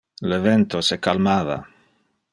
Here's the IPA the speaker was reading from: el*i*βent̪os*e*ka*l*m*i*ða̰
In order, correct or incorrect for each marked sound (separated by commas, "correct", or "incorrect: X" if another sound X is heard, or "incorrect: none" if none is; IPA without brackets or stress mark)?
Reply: incorrect: e, correct, correct, incorrect: a